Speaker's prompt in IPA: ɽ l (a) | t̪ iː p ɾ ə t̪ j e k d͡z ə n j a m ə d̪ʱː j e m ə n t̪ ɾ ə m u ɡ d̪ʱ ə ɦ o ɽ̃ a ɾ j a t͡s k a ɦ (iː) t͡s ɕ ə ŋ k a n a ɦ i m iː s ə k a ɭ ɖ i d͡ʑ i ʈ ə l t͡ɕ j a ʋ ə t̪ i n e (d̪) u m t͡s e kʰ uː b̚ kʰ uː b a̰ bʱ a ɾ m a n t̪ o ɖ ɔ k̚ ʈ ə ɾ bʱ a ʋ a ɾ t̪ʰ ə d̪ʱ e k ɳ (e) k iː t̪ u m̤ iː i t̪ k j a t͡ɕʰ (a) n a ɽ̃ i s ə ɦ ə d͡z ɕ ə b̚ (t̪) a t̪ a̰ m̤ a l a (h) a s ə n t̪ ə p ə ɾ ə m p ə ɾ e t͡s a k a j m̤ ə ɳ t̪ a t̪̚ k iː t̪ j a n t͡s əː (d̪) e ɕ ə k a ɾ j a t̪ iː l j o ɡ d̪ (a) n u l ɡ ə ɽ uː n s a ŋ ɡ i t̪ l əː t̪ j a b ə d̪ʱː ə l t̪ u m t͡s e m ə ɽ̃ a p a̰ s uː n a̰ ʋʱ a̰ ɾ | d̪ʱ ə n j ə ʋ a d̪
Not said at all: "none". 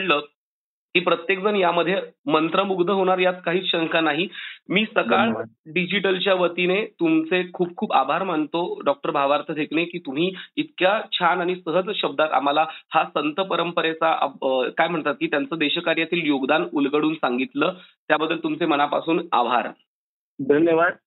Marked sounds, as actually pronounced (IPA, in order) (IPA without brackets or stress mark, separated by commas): ə, iː, t̪, e, a, d̪, h, d̪, a